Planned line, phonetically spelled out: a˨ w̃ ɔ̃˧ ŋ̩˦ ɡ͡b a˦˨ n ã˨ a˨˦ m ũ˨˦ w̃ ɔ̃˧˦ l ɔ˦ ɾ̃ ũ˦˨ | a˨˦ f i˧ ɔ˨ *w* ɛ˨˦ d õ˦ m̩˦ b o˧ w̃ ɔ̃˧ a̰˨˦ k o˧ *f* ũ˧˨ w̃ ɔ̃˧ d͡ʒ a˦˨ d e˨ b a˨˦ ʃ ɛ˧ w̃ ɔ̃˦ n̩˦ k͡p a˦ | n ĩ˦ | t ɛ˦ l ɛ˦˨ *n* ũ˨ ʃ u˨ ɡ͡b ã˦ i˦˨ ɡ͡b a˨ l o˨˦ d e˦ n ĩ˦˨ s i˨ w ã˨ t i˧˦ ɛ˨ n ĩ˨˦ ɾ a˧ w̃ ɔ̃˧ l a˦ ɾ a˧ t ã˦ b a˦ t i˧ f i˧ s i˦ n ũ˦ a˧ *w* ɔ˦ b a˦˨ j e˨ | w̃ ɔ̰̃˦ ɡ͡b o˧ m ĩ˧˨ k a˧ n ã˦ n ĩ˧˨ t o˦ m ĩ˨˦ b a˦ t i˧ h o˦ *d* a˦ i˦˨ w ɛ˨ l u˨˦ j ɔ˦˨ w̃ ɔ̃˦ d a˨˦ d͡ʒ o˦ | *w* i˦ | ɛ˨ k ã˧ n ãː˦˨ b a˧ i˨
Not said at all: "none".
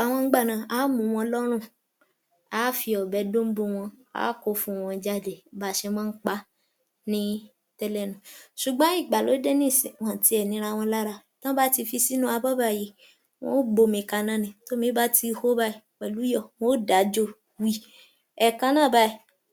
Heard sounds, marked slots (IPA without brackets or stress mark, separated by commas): b, f, n, b, b, w